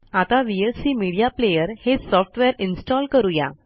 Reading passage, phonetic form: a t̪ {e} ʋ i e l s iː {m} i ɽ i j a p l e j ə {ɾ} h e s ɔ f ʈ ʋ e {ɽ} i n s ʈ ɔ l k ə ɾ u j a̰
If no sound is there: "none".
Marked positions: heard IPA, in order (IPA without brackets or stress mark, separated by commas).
a, m, ɾ, ɾ